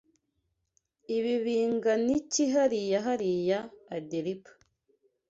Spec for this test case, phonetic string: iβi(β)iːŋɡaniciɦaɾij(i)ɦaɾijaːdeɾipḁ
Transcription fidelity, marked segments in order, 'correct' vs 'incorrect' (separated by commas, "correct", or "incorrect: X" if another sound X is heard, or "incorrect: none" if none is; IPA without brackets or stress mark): correct, incorrect: a